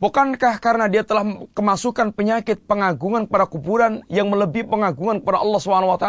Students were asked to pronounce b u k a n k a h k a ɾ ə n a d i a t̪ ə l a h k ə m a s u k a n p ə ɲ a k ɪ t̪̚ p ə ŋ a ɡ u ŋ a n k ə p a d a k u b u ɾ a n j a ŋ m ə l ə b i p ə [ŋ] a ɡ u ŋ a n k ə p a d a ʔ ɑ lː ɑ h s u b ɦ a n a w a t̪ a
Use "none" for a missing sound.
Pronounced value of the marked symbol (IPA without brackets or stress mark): ŋ